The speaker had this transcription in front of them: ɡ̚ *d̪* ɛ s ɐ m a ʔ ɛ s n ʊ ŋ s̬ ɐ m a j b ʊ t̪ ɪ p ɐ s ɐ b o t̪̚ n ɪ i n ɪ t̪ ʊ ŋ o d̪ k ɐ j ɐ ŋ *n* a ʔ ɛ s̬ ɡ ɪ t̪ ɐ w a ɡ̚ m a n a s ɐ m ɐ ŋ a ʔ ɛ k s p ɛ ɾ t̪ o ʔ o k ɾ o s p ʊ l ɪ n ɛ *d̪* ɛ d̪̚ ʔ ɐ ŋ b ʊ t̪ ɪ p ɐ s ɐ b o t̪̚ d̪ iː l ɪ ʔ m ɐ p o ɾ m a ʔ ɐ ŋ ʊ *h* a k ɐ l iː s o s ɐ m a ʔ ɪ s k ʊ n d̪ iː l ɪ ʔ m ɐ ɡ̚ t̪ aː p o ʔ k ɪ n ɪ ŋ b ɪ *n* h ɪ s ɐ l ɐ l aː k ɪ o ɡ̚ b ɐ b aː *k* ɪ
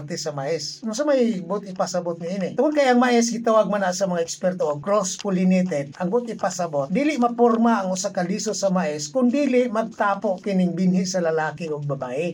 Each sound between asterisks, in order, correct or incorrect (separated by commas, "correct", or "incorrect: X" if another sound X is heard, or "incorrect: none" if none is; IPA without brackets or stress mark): incorrect: t̪, incorrect: m, incorrect: t̪, incorrect: s, correct, incorrect: ʔ